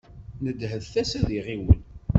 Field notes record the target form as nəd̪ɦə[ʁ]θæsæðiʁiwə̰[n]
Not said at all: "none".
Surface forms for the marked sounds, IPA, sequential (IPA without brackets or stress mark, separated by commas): ð, n